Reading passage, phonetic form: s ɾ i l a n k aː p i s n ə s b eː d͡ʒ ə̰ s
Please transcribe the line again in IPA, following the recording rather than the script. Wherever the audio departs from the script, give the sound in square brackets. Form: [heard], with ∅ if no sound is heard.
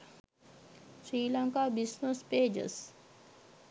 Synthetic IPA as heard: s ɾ [iː] l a [ŋ] k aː [b] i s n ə s [p] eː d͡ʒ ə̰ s